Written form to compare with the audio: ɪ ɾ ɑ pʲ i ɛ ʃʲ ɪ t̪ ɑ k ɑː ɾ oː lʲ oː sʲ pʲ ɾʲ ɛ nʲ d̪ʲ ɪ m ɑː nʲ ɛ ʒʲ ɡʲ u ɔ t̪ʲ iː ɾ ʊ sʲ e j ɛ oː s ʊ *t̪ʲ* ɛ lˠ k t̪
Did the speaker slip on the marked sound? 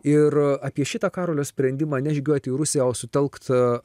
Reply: no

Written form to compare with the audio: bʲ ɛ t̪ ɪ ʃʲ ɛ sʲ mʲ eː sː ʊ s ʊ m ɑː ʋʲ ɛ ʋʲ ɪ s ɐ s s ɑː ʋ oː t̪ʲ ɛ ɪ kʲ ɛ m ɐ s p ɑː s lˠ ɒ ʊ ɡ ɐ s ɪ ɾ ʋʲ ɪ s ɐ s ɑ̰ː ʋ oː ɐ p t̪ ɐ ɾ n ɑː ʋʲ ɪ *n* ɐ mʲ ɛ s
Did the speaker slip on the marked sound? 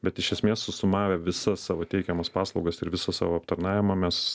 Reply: yes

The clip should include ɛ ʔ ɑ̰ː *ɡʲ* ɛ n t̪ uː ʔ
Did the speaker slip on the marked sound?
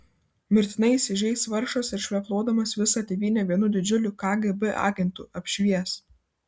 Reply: no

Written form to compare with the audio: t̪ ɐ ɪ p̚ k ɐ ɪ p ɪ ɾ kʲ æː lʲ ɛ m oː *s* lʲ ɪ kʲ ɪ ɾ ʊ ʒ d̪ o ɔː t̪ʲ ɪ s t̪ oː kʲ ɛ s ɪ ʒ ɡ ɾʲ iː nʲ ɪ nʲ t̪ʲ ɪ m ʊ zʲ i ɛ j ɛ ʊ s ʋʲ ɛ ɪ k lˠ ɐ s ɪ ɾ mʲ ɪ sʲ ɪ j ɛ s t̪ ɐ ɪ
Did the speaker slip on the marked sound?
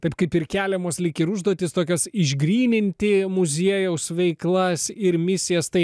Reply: no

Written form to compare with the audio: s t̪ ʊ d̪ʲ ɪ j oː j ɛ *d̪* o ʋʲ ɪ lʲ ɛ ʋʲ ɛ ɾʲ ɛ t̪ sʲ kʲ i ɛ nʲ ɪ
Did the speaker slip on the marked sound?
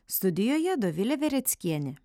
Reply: no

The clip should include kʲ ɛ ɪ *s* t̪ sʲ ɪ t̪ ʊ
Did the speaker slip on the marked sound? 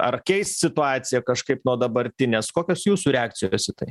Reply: no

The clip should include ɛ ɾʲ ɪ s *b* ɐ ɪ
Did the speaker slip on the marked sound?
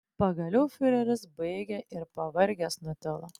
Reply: no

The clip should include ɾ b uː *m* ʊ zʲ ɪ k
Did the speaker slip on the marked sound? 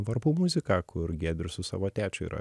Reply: no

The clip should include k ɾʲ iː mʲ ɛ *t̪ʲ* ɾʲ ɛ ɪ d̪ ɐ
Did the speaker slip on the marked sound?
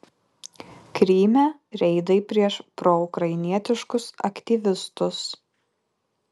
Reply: yes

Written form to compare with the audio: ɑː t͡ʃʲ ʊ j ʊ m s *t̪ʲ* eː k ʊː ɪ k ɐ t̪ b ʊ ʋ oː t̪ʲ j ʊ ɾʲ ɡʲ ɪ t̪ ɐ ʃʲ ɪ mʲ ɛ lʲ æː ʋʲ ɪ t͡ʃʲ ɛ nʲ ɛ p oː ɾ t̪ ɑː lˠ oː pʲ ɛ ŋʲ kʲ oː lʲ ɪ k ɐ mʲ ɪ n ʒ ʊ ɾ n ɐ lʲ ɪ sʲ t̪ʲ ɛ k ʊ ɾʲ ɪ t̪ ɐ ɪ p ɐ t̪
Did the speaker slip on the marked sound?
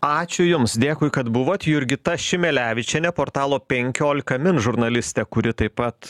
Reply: yes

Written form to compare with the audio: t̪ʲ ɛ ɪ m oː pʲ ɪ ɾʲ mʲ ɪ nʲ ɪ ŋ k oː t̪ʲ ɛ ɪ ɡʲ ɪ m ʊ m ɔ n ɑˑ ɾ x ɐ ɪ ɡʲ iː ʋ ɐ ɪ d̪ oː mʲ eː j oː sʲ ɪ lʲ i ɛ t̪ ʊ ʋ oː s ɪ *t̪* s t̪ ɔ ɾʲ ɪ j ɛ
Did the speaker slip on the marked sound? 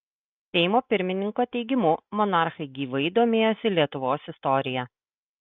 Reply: yes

